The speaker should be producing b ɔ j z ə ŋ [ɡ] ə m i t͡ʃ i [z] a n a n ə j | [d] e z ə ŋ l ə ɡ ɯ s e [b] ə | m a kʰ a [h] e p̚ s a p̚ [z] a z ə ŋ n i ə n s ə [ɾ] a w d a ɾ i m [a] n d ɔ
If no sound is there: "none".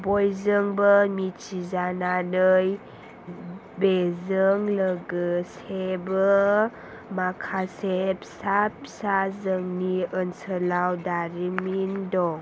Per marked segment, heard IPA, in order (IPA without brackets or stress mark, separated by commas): b, z, b, b, s, s, l, i